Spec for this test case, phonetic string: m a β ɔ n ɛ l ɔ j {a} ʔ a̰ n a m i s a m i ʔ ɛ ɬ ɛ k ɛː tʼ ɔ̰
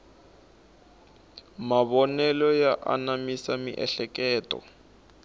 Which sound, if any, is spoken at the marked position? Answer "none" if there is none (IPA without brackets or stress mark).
a